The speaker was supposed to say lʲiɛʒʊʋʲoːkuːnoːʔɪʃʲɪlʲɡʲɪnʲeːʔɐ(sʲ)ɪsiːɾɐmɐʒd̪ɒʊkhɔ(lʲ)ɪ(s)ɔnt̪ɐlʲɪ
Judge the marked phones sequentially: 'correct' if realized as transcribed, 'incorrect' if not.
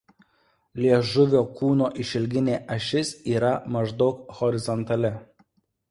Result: incorrect, incorrect, incorrect

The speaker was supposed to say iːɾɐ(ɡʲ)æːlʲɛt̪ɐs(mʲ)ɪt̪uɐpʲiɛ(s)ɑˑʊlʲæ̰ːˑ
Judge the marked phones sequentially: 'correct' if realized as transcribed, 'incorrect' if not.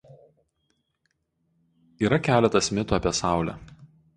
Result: incorrect, correct, correct

